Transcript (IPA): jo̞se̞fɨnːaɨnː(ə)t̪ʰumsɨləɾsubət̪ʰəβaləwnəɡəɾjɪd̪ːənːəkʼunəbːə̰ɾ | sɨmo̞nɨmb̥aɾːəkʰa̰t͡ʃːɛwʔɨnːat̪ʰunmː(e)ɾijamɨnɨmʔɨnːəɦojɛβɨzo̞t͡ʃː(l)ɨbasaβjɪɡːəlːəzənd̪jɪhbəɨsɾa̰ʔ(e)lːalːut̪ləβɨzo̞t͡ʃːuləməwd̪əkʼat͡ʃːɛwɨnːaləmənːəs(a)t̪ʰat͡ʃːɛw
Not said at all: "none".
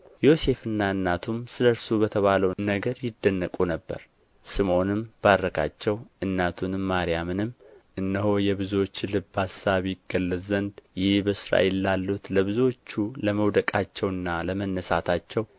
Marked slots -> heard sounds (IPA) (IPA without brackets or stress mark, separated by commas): a, a, l, e, a